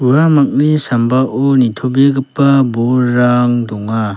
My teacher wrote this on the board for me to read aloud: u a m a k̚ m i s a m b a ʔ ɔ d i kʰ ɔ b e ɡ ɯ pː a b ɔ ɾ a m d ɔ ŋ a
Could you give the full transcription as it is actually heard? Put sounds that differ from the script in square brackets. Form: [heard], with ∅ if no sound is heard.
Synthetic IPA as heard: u a m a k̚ [n] i s a m b a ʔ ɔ [n] i [tʰ] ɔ b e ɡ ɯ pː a b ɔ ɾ a [ŋ] d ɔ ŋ a